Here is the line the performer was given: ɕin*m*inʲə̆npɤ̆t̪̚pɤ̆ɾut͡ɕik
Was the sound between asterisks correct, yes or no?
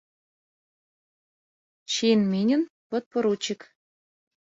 yes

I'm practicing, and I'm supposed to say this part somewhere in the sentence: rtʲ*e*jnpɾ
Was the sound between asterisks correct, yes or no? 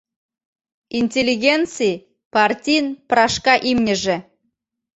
no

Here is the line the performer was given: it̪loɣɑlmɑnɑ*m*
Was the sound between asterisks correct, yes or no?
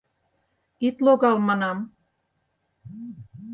yes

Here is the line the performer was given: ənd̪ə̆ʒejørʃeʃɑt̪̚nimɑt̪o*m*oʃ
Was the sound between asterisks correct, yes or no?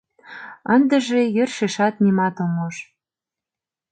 yes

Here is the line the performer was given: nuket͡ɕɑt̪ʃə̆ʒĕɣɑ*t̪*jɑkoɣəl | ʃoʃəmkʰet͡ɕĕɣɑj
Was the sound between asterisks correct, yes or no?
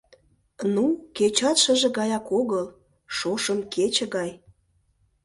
no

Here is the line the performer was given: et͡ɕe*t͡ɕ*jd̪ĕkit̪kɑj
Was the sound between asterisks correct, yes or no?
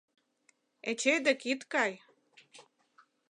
no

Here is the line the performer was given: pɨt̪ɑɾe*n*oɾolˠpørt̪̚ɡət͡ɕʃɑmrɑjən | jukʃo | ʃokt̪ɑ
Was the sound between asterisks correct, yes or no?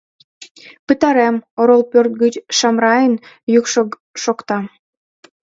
no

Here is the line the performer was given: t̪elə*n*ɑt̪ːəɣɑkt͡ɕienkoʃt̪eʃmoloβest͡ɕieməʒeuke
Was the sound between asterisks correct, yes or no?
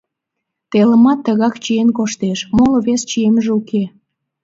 no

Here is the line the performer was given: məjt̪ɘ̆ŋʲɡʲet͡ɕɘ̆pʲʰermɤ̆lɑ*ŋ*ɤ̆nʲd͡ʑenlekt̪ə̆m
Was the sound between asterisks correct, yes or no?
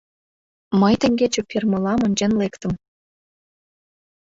no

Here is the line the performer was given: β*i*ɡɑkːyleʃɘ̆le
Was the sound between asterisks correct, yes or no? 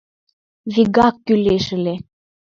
yes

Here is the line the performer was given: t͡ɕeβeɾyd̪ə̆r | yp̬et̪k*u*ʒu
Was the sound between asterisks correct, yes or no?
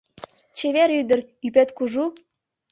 yes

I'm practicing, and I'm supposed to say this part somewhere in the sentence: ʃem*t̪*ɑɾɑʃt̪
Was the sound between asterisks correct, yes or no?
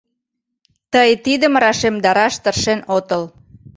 no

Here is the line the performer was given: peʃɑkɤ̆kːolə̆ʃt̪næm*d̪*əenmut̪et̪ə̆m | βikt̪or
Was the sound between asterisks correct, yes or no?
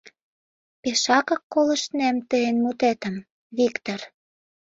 no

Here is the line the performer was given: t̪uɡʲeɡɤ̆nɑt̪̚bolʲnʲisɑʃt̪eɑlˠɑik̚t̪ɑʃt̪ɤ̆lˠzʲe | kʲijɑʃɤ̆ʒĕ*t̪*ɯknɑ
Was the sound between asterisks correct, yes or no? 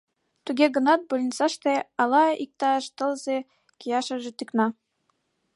yes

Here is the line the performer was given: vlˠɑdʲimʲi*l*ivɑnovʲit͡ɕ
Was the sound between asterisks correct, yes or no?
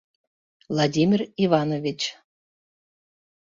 no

